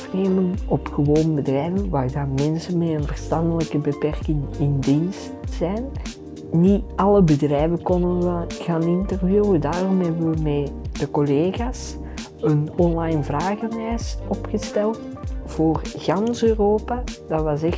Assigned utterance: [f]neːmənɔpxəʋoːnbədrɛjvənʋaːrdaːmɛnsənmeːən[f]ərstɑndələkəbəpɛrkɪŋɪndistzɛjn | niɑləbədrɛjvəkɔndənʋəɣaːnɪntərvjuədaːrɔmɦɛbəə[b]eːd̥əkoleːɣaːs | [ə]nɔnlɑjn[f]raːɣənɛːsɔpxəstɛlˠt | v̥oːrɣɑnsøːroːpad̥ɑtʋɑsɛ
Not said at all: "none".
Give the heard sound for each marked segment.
f, v, m, ə, v

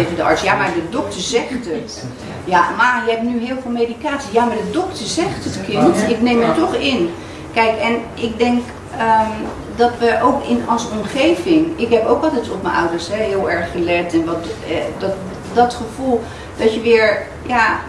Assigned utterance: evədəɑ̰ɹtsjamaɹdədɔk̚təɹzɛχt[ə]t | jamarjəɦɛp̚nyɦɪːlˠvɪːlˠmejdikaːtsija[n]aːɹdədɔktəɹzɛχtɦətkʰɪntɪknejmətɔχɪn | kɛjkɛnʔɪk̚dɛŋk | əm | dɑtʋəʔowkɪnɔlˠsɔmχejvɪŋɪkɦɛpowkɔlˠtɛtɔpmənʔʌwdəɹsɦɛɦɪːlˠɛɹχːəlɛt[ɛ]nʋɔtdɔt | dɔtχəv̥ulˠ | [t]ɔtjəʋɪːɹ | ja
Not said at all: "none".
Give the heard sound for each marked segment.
ə, m, ɛ, d

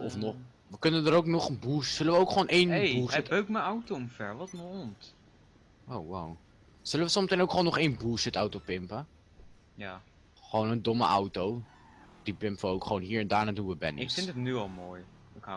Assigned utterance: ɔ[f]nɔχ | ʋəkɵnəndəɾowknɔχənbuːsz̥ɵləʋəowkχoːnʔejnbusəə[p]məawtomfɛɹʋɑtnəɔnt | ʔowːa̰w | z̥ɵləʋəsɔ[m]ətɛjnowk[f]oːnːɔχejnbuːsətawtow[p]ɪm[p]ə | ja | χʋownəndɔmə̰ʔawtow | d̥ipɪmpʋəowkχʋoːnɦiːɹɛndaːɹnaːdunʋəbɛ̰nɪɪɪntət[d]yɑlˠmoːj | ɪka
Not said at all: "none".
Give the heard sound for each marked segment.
f, k, m, χ, p, p, n

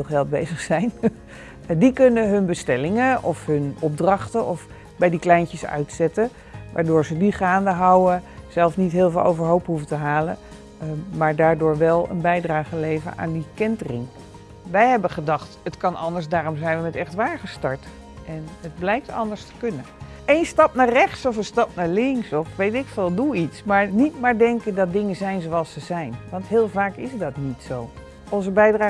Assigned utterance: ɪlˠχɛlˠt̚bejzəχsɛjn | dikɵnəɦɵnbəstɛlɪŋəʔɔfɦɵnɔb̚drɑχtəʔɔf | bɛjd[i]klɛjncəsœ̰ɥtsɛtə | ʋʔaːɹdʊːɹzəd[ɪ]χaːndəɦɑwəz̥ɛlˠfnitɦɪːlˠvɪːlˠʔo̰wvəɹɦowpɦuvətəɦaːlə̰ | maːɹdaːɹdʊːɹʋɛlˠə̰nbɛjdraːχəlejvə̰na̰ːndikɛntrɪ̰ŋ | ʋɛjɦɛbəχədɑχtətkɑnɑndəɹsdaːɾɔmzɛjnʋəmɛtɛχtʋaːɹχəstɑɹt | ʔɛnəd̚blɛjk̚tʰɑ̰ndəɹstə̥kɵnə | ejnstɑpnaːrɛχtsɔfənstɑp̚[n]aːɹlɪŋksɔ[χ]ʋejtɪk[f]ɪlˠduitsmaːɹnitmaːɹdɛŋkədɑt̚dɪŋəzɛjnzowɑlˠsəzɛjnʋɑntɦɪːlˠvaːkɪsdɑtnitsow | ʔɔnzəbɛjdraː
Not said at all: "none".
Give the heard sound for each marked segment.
i, i, n, f, f

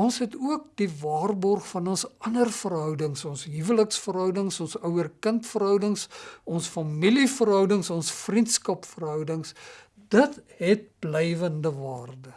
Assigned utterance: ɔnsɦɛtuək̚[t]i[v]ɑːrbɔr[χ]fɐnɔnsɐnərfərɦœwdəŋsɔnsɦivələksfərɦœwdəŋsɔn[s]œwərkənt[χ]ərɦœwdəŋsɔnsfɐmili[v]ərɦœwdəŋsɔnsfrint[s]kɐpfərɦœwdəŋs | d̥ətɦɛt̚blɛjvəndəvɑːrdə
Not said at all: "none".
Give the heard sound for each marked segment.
d, v, χ, s, f, f, s

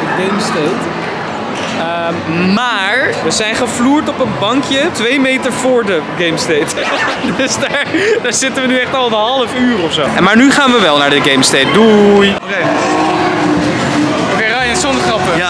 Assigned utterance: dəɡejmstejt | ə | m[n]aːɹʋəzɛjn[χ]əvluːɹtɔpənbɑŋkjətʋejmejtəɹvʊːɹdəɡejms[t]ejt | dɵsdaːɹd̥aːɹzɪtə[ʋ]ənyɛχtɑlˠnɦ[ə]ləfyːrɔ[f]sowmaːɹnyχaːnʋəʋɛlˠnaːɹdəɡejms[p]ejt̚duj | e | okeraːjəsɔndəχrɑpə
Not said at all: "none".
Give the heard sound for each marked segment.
m, χ, t, ʋ, ɑ, f, t

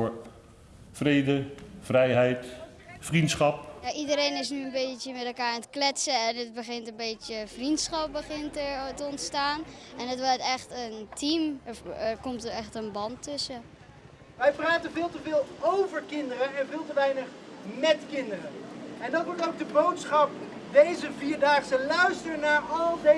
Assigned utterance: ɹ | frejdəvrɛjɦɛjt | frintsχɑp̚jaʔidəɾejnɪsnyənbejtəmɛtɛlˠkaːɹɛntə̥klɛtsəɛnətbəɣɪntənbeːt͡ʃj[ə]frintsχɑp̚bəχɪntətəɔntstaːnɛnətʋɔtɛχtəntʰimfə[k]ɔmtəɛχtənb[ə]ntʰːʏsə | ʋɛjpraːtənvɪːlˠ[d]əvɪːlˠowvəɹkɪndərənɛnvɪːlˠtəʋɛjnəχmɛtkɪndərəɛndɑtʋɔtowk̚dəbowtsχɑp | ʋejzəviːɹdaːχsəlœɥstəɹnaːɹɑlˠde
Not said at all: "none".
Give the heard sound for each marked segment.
ə, k, ɑ, t

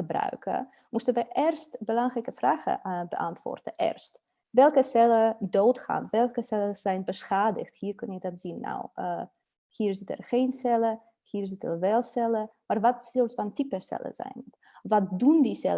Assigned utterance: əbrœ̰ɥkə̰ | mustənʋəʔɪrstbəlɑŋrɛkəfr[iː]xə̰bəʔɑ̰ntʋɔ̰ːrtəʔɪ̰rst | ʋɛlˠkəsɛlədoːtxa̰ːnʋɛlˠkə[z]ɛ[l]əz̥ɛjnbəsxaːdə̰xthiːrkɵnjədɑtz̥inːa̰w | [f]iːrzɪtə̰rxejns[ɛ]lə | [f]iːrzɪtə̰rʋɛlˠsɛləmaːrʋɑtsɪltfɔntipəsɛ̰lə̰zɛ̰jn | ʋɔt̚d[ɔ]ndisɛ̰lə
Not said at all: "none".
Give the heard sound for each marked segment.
aː, s, l, h, ɛ, h, u

